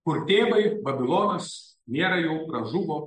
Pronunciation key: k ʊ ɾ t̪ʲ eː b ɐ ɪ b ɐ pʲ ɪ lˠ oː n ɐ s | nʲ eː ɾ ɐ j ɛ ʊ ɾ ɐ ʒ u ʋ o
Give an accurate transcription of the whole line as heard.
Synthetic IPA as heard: k ʊ ɾ t̪ʲ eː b ɐ ɪ b ɐ bʲ ɪ lˠ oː n ɐ s | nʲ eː ɾ ɐ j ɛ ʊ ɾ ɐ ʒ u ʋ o